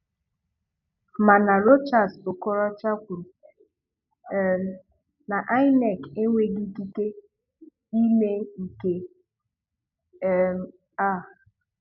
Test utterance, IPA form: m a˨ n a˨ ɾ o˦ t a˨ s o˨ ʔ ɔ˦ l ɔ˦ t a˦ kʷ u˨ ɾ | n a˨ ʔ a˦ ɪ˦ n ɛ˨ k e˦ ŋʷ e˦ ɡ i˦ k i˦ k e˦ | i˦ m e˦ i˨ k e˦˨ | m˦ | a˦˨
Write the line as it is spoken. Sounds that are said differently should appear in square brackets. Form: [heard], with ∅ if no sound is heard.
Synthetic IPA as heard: m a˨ n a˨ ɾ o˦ [t͡ʃ] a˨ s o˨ [k] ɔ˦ [ɾ] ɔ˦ [t͡ʃ] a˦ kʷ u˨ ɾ | n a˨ ʔ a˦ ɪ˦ n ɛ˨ k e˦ ŋʷ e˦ ɡ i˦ k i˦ k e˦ | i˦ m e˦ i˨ k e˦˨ | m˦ | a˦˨

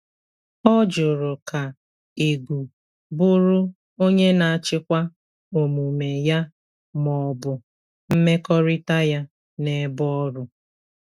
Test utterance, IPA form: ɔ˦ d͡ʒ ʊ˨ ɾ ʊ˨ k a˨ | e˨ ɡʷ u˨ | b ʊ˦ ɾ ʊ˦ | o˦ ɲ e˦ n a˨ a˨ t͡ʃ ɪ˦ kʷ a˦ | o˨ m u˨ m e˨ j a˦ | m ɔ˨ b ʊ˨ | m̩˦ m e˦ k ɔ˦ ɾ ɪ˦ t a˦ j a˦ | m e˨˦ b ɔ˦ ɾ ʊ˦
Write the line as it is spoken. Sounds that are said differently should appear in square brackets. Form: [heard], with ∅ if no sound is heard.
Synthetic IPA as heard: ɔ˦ d͡ʒ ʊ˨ ɾ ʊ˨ k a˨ | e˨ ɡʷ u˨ | b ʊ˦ ɾ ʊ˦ | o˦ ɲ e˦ n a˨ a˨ t͡ʃ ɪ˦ kʷ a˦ | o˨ m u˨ m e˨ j a˦ | m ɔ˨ b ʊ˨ | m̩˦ m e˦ k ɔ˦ ɾ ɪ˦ t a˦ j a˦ | [n] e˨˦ b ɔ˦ ɾ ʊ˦

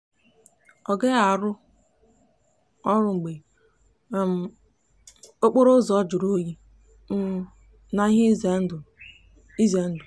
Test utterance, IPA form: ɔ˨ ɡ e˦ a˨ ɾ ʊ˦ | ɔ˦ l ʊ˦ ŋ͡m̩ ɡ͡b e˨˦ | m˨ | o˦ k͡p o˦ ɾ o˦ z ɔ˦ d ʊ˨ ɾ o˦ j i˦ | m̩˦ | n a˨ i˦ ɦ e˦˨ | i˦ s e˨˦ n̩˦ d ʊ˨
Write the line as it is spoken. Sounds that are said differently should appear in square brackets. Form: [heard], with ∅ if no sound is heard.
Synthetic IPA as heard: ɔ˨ ɡ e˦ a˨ ɾ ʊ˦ | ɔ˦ [ɾ] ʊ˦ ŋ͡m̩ ɡ͡b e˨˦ | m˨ | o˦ k͡p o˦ ɾ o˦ z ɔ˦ [d͡ʒ] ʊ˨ ɾ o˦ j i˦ | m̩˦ | n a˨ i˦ ɦ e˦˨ | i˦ [z] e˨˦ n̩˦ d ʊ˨

